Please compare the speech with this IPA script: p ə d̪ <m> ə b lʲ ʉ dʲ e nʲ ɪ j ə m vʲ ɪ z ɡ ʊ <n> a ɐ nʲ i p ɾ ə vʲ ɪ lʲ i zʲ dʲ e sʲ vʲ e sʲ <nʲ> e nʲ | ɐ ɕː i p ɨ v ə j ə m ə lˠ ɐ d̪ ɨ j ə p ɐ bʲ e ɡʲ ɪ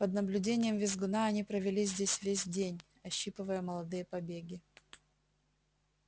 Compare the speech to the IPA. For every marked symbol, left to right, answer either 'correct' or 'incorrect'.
incorrect: n, correct, incorrect: dʲ

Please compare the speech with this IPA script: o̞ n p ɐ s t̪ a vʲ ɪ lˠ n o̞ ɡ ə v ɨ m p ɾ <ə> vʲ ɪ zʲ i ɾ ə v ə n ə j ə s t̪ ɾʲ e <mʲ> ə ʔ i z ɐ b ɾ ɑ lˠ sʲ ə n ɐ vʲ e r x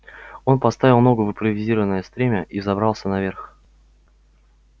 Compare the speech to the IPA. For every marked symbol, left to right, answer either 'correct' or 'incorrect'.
correct, correct

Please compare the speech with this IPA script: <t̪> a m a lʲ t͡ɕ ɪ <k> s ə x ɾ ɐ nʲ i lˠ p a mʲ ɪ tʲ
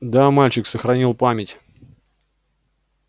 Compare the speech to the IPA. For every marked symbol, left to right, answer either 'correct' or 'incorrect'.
incorrect: d̪, correct

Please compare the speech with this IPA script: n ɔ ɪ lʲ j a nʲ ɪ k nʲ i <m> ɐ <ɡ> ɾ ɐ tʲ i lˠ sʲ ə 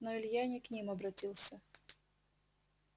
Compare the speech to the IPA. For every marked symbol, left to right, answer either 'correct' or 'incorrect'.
correct, incorrect: b

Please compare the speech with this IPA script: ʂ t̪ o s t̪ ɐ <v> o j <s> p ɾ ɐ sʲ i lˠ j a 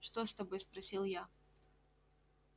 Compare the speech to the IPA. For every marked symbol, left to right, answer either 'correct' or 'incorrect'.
incorrect: b, correct

